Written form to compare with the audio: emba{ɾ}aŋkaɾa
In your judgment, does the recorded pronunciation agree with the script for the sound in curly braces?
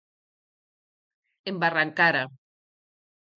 no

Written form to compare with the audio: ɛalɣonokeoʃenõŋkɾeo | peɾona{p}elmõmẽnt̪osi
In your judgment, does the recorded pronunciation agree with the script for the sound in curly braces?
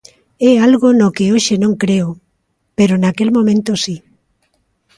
no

